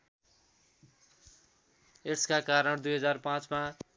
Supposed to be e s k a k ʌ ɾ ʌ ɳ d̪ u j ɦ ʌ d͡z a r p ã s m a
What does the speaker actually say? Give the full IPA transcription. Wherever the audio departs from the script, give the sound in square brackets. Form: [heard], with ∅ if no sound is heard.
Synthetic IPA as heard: e s k a k [a] ɾ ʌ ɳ d̪ u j ɦ ʌ d͡z a r p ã [t͡s] m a